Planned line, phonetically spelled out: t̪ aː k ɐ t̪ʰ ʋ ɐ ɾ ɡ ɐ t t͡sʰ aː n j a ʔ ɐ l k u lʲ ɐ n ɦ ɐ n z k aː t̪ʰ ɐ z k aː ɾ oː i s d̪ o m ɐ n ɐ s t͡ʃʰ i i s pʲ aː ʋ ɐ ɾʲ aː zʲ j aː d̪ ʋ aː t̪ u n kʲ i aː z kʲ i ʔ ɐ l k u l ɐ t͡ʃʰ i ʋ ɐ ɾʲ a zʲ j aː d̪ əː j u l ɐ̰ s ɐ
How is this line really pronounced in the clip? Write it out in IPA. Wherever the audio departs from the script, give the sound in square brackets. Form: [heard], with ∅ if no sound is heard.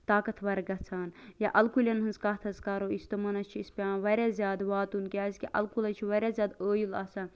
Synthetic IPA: t̪ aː k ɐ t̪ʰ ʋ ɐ ɾ ɡ ɐ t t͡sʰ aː n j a ʔ ɐ l k u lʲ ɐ n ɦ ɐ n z k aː t̪ʰ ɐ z k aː ɾ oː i s [t̪] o m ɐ n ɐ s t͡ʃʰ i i s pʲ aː ʋ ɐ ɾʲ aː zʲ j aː d̪ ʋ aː t̪ u n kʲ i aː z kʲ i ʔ ɐ l k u l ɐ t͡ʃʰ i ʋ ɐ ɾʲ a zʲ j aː d̪ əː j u l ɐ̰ s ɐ